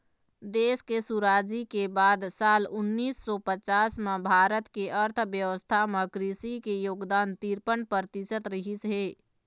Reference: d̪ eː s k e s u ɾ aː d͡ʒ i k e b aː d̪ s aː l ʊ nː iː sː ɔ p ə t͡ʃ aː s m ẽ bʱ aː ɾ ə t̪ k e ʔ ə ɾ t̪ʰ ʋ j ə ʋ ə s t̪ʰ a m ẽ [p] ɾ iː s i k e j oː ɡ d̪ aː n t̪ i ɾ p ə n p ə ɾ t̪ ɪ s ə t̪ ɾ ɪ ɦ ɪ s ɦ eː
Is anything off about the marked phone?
yes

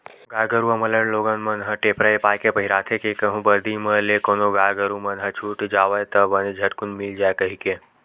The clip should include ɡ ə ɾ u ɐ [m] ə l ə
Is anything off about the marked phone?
no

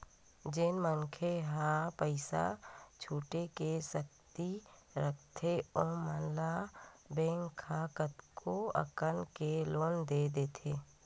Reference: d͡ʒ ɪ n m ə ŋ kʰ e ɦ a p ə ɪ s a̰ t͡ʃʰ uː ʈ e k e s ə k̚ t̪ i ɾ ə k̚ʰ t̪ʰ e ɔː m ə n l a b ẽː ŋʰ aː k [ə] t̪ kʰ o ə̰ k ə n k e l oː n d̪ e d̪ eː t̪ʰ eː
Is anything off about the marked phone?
no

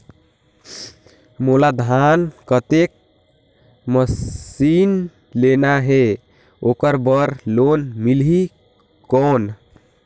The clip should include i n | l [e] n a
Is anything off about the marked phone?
no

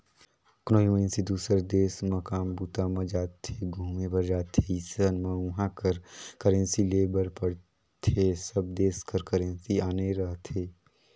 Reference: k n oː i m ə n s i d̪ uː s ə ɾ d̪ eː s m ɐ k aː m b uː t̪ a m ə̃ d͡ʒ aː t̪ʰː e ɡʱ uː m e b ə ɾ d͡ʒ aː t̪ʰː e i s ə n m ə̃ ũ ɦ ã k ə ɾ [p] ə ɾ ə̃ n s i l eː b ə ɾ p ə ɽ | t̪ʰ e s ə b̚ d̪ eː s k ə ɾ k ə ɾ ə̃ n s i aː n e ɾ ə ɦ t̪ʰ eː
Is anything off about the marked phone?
yes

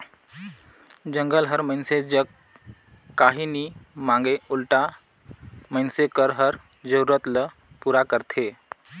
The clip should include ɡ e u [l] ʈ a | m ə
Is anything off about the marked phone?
no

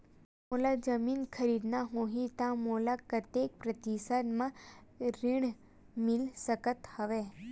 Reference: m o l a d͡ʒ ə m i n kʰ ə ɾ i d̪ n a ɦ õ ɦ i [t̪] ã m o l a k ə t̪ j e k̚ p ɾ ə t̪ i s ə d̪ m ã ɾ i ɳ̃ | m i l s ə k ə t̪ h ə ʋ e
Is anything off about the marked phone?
no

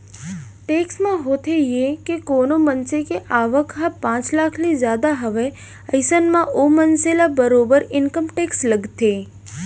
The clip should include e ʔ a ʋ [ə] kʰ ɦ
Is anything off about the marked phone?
no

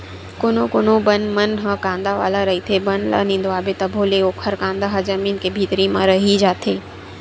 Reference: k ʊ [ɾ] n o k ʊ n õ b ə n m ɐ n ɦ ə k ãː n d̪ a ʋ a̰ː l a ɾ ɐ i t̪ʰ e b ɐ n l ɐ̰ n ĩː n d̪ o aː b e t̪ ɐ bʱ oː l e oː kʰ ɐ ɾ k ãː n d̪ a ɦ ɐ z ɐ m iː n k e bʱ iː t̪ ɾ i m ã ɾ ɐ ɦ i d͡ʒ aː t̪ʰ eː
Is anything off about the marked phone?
yes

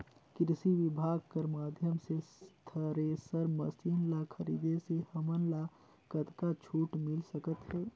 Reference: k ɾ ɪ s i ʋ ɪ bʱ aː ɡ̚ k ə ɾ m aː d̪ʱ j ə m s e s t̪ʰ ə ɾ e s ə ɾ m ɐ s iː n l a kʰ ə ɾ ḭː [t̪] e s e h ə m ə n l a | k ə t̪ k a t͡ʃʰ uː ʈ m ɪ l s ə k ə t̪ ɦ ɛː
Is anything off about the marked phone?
yes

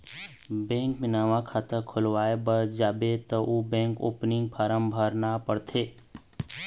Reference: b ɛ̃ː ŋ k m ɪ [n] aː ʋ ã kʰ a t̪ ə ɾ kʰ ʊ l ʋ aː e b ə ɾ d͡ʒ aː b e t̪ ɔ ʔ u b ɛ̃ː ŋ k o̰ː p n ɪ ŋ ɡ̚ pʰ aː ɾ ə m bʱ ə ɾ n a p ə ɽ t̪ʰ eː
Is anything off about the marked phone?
no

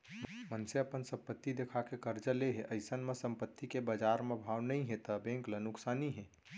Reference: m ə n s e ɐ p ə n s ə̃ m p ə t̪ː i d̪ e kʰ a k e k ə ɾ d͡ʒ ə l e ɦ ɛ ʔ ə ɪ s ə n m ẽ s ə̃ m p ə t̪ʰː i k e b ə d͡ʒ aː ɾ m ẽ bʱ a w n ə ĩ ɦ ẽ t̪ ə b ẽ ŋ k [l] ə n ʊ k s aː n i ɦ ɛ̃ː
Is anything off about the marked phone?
no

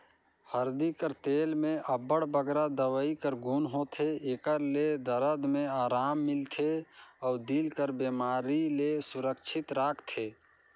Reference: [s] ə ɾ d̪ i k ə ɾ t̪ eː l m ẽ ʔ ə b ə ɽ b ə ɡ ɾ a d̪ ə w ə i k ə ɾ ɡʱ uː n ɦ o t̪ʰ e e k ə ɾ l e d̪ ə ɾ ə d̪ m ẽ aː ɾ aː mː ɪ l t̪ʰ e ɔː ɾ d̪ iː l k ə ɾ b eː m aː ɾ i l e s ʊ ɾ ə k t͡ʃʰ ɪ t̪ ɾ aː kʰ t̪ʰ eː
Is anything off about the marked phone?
yes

